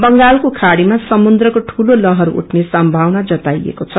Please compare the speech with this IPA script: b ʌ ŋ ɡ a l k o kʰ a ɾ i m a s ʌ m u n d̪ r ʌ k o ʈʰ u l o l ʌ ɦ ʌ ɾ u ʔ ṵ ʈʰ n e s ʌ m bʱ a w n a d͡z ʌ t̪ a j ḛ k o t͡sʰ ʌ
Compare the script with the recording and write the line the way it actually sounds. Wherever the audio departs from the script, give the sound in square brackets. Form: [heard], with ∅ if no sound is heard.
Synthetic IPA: b ʌ ŋ ɡ a l k o kʰ a [ɽ] i m a s ʌ m u n d̪ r ʌ k o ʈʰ u l o l ʌ ɦ ʌ ɾ u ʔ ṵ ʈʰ n e s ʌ m bʱ a w n a d͡z ʌ t̪ a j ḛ k o t͡sʰ ʌ